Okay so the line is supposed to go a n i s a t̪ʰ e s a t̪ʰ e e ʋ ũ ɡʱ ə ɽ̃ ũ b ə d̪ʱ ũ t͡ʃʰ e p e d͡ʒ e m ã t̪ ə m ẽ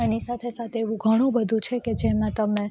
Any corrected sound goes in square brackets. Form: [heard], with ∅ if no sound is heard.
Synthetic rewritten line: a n i s a t̪ʰ e s a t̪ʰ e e ʋ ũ ɡʱ ə ɽ̃ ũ b ə d̪ʱ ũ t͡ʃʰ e [k] e d͡ʒ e m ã t̪ ə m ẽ